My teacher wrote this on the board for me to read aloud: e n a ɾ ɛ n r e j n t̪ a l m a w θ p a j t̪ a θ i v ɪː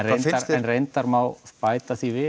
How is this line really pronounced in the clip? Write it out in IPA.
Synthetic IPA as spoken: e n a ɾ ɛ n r e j n t̪ a ɾ m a w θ p a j t̪ a θ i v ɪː